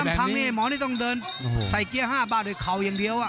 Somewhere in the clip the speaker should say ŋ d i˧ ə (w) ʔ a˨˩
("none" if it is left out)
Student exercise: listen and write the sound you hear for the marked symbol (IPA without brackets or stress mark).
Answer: w